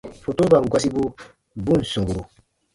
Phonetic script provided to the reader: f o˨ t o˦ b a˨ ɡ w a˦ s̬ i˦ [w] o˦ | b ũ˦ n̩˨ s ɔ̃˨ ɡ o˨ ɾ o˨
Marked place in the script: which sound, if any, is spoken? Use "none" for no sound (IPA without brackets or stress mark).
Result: b